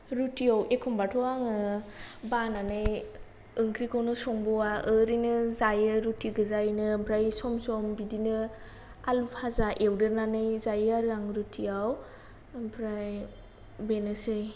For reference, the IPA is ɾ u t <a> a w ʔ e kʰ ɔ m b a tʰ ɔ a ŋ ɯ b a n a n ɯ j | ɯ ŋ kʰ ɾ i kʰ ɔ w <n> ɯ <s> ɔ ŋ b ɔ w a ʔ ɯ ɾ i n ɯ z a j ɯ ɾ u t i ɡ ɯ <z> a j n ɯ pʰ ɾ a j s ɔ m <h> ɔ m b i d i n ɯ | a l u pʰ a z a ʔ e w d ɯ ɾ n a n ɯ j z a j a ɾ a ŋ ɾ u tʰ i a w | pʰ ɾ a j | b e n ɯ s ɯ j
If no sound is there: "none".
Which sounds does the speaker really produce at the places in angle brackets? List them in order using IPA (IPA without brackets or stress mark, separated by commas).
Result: i, n, s, z, s